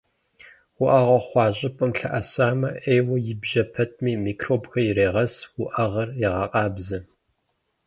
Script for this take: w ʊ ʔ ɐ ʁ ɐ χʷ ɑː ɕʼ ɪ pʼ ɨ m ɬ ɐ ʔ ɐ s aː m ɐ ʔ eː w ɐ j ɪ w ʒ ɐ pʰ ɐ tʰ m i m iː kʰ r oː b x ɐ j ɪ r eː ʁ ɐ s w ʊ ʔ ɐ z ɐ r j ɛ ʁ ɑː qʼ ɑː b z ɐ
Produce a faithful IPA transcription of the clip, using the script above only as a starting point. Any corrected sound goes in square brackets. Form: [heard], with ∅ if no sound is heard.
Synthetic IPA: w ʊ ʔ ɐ ʁ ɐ χʷ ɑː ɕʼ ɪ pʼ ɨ m ɬ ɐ ʔ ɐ s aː m ɐ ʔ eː w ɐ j ɪ [b] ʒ ɐ pʰ ɐ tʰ m [iː] m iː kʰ r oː b x ɐ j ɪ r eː ʁ ɐ s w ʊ ʔ ɐ [ʁ] ɐ r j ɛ ʁ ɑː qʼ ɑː b z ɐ